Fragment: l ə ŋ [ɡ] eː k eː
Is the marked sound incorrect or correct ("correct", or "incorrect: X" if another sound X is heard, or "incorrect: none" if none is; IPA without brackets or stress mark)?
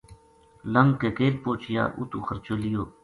incorrect: k